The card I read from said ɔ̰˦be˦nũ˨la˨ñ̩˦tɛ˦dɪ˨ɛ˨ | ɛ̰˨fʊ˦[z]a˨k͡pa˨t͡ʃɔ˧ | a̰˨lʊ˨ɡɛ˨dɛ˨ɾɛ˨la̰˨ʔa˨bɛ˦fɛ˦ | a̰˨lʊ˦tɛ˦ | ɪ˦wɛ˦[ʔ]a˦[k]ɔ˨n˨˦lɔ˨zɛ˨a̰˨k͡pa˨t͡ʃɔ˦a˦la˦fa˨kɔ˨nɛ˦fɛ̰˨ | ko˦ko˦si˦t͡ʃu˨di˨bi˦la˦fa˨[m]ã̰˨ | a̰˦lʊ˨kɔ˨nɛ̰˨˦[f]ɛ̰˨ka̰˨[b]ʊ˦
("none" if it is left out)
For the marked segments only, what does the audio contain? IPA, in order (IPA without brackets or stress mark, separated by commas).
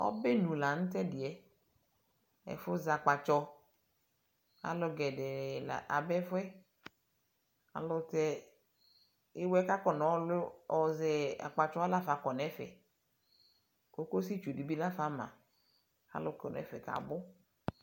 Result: z, k, k, m, f, b